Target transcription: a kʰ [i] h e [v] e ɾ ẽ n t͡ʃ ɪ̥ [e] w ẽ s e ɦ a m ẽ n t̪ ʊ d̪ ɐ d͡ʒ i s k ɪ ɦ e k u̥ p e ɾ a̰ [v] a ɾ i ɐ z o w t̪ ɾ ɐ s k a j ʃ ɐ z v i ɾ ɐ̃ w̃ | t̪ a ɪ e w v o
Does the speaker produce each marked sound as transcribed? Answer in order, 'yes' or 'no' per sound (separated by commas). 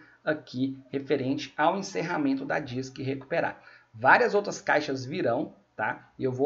yes, no, no, yes